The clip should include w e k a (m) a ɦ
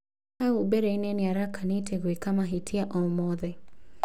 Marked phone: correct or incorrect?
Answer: correct